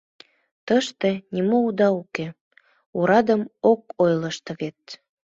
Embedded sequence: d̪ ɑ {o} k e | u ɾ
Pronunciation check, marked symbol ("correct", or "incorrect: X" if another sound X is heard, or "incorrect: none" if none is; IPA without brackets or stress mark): incorrect: u